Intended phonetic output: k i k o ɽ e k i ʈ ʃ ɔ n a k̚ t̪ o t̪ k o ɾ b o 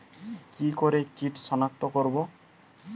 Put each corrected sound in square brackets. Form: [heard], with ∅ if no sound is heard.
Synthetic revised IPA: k i k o [ɾ] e k i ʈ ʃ ɔ n a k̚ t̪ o [∅] k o ɾ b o